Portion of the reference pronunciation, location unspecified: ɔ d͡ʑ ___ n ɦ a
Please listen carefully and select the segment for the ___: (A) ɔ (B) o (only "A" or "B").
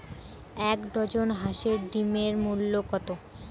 B